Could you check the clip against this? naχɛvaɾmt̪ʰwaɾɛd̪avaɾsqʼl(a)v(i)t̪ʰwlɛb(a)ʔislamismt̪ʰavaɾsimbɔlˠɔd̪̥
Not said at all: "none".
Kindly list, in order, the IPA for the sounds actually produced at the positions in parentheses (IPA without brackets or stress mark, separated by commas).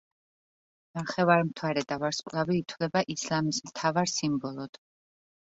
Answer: a, iː, a